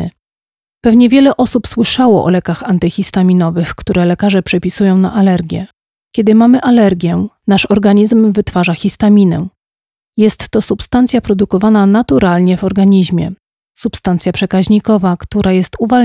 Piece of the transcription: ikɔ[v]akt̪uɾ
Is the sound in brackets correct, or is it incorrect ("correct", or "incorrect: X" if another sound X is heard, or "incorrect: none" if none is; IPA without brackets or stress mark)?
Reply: correct